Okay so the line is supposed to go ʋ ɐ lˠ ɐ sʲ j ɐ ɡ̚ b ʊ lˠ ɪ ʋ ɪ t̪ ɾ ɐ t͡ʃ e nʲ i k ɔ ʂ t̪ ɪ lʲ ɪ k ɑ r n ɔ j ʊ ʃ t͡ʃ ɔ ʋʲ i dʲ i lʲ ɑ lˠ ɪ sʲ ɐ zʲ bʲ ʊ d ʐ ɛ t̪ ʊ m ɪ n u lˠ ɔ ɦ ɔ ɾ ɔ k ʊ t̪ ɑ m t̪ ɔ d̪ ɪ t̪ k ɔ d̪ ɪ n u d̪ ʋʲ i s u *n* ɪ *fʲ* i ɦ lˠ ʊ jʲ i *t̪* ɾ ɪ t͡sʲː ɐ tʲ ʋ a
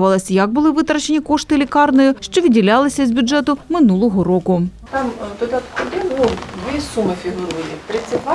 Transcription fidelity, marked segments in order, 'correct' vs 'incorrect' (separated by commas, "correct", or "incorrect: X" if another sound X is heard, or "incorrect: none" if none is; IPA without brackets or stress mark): incorrect: m, correct, correct